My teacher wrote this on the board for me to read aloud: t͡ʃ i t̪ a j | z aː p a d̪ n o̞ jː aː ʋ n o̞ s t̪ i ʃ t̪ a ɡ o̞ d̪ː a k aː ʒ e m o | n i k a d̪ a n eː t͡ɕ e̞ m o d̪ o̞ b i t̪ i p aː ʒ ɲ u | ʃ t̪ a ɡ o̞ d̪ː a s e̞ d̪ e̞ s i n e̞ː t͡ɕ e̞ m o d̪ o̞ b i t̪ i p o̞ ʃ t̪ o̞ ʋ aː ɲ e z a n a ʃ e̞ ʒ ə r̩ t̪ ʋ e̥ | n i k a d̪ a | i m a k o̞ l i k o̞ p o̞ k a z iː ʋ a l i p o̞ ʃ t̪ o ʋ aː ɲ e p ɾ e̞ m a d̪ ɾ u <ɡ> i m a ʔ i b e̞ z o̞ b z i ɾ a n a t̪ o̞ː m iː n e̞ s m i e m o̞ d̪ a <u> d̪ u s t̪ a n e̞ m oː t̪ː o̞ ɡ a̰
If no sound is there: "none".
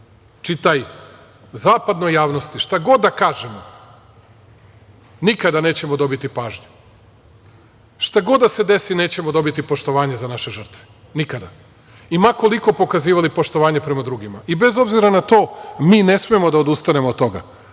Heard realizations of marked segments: ɡ, o

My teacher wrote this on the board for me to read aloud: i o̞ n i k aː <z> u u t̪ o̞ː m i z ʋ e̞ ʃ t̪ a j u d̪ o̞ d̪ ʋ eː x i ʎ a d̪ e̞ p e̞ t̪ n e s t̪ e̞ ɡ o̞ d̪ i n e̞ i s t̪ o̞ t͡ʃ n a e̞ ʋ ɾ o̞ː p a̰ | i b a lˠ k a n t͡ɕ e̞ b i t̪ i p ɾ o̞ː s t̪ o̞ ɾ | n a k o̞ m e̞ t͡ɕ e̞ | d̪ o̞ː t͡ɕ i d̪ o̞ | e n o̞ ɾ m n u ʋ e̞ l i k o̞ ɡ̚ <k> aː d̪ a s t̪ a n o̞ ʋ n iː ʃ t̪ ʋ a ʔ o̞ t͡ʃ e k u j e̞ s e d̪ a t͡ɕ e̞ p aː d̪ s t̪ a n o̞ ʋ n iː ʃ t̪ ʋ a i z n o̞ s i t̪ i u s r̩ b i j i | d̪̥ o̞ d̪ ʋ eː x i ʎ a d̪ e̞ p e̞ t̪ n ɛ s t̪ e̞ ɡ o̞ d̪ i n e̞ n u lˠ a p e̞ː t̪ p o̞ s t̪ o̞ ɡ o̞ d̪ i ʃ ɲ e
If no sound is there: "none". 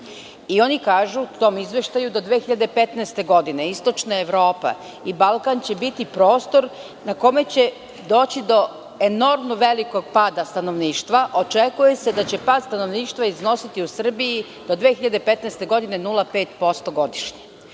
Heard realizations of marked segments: ʒ, p

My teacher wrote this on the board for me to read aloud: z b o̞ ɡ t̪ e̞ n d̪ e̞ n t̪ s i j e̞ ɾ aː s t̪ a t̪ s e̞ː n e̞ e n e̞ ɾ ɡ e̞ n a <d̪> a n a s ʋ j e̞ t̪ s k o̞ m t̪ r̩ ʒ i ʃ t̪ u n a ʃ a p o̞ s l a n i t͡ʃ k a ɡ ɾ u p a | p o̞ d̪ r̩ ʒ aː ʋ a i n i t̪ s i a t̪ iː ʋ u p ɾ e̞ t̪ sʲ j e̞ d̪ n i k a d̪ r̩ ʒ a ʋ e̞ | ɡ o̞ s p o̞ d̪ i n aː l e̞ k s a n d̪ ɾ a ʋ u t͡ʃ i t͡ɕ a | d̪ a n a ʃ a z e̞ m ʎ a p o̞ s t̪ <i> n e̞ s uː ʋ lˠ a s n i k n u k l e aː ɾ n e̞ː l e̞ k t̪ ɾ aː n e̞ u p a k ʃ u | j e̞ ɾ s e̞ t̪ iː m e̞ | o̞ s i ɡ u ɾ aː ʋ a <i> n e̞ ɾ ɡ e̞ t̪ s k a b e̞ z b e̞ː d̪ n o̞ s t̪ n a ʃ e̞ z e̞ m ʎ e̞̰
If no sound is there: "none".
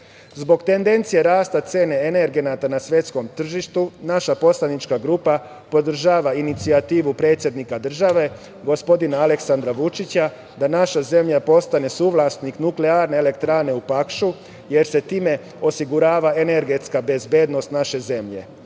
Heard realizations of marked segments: t̪, a, e

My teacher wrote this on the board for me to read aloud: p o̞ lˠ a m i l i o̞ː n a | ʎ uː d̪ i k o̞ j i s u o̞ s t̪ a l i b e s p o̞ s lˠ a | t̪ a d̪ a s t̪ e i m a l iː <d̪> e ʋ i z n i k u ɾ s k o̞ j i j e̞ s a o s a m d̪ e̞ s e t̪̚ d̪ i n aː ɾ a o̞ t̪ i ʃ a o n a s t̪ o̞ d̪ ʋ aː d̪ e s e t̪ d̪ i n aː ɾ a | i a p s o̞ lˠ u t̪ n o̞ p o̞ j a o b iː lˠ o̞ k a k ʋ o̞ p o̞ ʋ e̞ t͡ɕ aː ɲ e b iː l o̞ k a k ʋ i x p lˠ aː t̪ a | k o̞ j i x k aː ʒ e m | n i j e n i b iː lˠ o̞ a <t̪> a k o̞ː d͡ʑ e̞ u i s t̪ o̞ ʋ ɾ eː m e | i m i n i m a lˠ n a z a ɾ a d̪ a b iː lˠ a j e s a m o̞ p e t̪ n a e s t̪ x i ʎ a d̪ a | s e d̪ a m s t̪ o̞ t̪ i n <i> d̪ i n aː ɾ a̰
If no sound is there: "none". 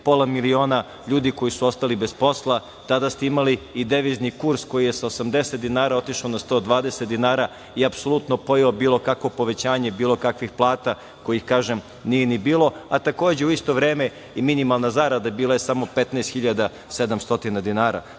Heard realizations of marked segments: d̪, t̪, a

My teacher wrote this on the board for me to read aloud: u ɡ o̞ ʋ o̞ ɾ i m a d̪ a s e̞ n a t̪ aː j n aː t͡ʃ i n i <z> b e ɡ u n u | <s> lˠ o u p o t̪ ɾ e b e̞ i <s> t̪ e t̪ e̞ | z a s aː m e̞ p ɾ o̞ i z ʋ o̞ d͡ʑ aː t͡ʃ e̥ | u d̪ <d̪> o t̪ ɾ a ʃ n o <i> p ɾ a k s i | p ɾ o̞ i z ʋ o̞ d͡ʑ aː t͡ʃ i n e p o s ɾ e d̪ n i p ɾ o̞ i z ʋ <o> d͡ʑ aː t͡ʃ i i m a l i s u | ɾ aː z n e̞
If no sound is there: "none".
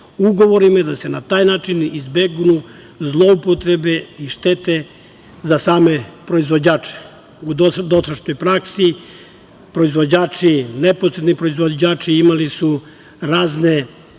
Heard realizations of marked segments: z, z, ʃ, d̪, j, o

